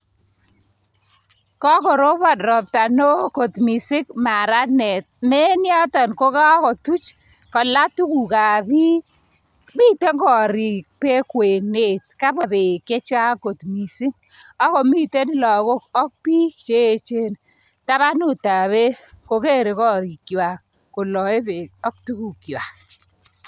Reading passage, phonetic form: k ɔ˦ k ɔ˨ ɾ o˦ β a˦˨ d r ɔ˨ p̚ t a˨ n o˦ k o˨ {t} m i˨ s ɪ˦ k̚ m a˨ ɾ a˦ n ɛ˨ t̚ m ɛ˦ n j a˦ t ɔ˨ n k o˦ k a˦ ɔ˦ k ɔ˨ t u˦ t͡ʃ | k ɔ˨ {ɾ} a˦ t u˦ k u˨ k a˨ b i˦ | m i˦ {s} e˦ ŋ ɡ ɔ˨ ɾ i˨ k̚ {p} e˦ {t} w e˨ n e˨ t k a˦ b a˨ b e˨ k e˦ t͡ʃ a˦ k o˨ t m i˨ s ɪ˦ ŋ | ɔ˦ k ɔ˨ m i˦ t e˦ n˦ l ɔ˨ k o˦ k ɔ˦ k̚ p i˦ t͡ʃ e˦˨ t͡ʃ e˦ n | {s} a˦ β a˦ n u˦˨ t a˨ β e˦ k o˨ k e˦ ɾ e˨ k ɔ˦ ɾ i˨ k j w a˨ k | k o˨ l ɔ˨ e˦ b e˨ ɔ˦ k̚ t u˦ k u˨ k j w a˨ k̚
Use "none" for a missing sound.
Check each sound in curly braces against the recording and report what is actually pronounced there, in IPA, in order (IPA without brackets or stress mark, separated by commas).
t, l, t, p, k, t